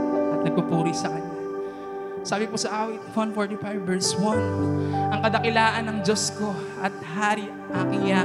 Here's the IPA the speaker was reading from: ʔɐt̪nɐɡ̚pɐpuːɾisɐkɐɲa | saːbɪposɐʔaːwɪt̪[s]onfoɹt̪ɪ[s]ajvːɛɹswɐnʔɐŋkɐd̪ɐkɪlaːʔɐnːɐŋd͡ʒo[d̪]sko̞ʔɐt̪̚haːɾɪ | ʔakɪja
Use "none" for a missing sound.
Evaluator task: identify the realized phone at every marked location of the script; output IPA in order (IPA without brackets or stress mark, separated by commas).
f, f, none